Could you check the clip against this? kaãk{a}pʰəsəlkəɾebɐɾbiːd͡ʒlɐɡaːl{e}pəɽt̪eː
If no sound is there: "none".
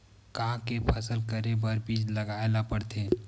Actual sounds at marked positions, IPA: e, a

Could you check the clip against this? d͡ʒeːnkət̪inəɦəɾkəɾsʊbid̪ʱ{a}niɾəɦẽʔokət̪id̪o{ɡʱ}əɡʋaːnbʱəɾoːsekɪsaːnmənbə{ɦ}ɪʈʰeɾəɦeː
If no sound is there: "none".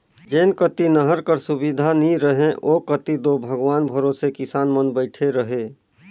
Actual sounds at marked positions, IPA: a, bʱ, none

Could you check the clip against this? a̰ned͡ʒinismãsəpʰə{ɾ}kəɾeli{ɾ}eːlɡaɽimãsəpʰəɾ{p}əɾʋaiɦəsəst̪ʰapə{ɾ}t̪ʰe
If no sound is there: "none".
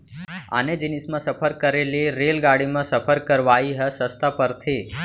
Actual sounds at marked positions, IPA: ɾ, ɾ, k, ɾ

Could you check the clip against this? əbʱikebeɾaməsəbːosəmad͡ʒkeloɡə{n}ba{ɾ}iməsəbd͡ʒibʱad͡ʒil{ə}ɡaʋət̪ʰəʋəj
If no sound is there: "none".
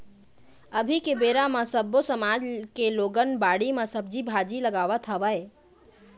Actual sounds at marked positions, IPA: n, ɽ, ə

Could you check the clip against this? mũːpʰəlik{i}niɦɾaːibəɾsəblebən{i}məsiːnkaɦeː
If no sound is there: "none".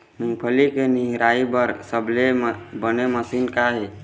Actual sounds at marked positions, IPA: e, e

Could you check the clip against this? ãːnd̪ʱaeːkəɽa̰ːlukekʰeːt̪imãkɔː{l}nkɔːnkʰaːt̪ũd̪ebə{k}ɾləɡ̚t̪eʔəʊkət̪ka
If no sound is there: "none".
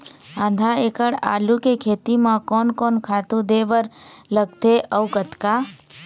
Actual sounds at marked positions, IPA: none, none

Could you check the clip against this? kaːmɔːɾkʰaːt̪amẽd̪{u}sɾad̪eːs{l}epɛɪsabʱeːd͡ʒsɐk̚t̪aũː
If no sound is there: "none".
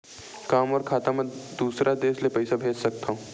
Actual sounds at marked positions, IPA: uː, l

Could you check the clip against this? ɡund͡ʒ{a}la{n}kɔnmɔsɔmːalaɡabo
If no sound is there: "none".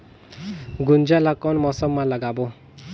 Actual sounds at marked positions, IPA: a, none

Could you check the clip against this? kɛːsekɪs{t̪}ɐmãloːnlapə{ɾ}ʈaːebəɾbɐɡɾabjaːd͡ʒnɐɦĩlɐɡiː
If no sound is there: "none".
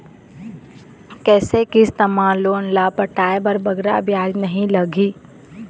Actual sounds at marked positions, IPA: t̪, none

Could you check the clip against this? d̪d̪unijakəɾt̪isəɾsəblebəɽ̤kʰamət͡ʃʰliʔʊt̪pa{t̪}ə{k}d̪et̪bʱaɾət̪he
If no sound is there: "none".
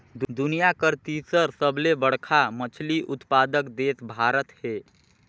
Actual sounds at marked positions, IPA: d̪, k

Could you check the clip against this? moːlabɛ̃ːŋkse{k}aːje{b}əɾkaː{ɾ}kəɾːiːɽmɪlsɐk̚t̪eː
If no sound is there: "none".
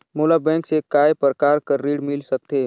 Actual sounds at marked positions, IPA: k, p, ɾ

